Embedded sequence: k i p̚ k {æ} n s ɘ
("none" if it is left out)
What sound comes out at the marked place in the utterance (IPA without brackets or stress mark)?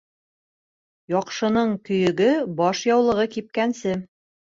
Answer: æ